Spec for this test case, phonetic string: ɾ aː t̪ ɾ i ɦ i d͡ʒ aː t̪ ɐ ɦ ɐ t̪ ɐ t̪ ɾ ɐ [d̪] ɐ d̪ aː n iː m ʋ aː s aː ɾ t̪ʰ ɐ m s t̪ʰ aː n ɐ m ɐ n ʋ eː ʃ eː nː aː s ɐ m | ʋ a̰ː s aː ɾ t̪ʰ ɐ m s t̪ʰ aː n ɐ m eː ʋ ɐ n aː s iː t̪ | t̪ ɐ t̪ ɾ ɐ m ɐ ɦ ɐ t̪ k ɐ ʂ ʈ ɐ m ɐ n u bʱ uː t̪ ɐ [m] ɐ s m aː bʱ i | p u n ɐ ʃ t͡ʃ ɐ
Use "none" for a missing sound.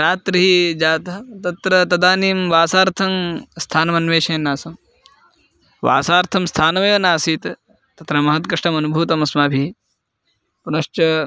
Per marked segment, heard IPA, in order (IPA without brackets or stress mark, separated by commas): t̪, m